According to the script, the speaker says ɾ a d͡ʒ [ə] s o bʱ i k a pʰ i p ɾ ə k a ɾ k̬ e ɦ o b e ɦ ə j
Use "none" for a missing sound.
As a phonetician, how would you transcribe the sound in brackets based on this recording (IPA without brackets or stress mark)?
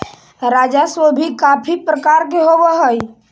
a